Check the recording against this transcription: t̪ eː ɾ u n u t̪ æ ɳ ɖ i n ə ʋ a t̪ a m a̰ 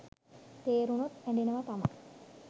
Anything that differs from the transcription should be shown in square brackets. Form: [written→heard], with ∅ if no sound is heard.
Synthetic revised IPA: t̪ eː ɾ u n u t̪ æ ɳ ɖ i n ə ʋ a t̪ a m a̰